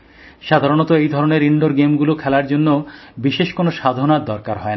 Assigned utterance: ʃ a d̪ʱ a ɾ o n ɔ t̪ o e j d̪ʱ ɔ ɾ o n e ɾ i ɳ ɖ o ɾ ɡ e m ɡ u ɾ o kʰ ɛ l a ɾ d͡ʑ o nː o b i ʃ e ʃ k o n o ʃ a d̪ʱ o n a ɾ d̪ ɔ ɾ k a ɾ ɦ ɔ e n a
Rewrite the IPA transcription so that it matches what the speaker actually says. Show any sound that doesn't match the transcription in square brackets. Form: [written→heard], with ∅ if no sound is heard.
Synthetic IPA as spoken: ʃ a d̪ʱ a ɾ o n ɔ t̪ o e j d̪ʱ ɔ ɾ o n e ɾ i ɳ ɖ o ɾ ɡ e m ɡ u [ɾ→l] o kʰ ɛ l a ɾ d͡ʑ o nː o b i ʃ e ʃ k o n o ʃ a d̪ʱ o n a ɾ d̪ ɔ ɾ k a ɾ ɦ ɔ e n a